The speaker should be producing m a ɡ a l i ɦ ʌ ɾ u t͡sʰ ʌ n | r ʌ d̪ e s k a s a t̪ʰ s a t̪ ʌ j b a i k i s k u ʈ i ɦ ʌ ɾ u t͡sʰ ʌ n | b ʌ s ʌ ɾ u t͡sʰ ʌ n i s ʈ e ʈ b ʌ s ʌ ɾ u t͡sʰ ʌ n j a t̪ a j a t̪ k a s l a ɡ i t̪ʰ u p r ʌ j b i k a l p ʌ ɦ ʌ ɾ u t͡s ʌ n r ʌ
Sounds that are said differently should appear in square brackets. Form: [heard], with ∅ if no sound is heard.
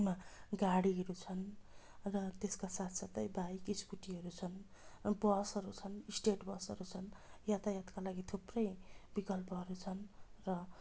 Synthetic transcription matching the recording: m a ɡ a [ɽ] i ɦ ʌ ɾ u t͡sʰ ʌ n | r ʌ [t̪] e s k a s a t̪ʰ s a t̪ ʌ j b a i k i s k u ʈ i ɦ ʌ ɾ u t͡sʰ ʌ n | b ʌ s ʌ ɾ u t͡sʰ ʌ n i s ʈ e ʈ b ʌ s ʌ ɾ u t͡sʰ ʌ n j a t̪ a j a t̪ k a [∅] l a ɡ i t̪ʰ u p r ʌ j b i k [ʌ] l p ʌ ɦ ʌ ɾ u [t͡sʰ] ʌ n r ʌ